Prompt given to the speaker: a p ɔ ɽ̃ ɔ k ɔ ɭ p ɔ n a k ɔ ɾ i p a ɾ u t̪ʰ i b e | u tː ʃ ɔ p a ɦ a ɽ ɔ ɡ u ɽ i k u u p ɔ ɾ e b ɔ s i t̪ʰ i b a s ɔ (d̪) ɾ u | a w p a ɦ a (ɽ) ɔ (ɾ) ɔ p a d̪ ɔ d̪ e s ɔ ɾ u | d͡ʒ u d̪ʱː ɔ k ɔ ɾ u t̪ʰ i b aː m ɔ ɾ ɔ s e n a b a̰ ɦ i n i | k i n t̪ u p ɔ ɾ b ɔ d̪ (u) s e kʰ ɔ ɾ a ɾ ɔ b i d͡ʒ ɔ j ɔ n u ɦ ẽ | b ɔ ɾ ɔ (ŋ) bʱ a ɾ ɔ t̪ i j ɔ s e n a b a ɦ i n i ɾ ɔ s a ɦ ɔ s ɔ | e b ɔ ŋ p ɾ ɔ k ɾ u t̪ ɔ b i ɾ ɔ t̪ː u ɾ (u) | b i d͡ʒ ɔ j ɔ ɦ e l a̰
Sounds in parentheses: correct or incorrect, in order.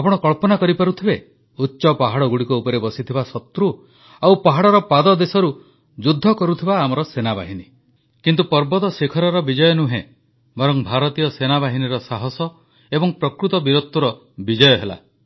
incorrect, correct, correct, incorrect, correct, incorrect

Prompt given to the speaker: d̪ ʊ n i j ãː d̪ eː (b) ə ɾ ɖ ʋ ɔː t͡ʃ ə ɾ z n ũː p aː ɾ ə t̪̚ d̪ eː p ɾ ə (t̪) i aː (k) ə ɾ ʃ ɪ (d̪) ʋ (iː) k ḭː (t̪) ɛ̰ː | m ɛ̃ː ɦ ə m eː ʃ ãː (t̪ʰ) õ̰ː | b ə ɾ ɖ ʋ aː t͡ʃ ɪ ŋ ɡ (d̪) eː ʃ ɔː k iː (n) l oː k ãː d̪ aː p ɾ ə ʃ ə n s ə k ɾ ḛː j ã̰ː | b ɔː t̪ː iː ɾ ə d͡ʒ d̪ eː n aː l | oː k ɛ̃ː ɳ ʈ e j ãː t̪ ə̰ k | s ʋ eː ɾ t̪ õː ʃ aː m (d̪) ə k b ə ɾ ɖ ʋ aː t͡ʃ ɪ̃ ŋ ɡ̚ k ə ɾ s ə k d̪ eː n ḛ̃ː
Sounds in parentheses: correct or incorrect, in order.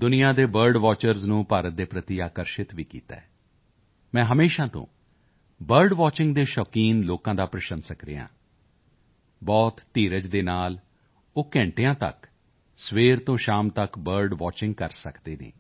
correct, correct, correct, incorrect, correct, correct, incorrect, correct, correct, incorrect

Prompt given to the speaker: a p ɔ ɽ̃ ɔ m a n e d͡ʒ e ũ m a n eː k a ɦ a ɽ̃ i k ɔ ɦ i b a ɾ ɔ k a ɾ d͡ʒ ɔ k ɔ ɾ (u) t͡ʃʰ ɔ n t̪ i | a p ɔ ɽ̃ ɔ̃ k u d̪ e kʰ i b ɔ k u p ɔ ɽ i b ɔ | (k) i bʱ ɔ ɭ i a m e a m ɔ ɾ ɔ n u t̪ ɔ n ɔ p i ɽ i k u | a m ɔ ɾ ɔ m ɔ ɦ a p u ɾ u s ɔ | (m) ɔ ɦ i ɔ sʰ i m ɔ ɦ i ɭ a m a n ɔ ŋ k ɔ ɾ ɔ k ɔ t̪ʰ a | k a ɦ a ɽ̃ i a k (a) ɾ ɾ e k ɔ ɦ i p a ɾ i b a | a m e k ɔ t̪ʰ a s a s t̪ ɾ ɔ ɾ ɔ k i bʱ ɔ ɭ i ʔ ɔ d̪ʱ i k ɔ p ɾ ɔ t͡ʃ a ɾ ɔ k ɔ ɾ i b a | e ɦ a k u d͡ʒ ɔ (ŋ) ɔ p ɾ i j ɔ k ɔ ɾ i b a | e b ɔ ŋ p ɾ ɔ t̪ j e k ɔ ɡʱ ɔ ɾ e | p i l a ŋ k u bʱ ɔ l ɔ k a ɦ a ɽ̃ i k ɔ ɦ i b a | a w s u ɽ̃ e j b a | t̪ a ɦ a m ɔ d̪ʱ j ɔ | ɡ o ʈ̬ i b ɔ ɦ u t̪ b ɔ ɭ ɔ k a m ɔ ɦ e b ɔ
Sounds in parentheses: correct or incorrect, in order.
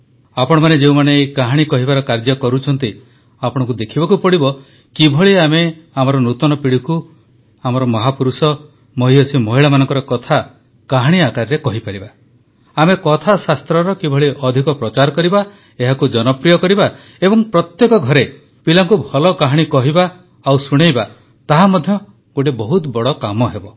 correct, correct, correct, correct, incorrect

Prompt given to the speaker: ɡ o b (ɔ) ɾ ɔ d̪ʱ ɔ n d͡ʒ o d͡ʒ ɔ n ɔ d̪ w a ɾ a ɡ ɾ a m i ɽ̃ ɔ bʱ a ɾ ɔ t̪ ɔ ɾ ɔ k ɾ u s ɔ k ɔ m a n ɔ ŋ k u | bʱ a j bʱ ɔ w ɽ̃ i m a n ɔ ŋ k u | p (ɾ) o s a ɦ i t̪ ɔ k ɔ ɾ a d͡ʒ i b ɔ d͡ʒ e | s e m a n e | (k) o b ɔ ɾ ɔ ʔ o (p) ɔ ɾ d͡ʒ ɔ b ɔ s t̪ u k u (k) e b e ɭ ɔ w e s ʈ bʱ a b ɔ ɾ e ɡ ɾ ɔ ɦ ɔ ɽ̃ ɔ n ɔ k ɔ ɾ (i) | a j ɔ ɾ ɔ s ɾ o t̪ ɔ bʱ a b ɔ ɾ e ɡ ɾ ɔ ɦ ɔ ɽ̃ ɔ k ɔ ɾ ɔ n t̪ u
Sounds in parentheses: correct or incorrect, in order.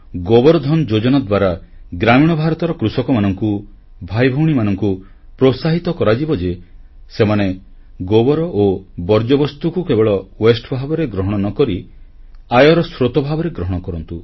correct, correct, incorrect, incorrect, correct, correct

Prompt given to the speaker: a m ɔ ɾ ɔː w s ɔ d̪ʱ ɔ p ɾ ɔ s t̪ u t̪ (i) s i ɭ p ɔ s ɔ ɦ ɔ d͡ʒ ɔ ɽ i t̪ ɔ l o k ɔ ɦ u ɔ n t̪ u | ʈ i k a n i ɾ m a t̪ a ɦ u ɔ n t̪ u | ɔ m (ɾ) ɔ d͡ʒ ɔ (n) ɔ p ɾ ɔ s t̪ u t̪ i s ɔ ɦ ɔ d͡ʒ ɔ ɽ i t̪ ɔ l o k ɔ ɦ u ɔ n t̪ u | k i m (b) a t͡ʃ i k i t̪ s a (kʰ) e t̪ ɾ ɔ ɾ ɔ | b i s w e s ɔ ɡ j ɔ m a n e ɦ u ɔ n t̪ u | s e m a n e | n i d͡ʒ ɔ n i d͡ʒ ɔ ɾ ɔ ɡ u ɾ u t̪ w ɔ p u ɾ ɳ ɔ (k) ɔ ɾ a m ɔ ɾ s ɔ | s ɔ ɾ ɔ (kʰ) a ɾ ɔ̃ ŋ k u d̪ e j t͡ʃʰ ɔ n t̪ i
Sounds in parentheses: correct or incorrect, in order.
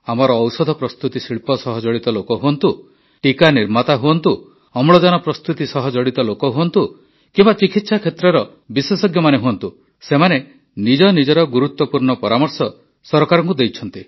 correct, incorrect, correct, correct, correct, incorrect, incorrect

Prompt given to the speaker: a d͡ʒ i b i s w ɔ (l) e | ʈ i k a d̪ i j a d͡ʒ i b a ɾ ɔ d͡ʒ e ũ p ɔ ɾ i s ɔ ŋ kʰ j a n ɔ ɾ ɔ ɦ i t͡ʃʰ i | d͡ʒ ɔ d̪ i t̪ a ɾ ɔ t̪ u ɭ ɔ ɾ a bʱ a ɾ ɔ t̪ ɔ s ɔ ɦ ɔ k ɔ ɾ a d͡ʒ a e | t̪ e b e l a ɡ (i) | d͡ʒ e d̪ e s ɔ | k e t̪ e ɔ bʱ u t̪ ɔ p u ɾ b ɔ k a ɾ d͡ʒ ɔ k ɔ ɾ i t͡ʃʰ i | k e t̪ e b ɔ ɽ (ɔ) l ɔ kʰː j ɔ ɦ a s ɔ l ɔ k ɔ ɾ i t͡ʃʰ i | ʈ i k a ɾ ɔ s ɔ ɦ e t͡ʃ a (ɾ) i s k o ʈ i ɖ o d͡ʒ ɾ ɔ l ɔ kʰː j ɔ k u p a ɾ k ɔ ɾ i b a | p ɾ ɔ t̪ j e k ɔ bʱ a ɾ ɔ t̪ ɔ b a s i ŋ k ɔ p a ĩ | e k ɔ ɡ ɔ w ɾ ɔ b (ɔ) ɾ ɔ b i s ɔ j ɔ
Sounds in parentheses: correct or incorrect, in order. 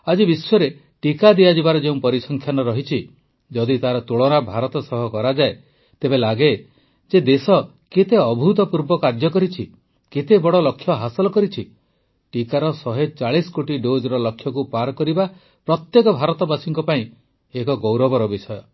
incorrect, incorrect, correct, incorrect, correct

